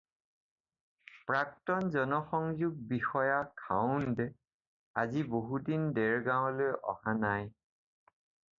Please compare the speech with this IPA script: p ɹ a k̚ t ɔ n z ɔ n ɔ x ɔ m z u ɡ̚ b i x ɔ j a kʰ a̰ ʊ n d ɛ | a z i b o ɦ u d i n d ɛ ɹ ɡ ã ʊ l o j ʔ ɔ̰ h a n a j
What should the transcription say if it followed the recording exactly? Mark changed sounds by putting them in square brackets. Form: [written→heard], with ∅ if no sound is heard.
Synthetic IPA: p ɹ a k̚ t ɔ n z ɔ n ɔ x ɔ [m→ŋ] z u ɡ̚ b i x ɔ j a kʰ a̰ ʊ n d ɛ | a z i b o ɦ u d i n d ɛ ɹ ɡ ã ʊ l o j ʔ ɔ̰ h a n a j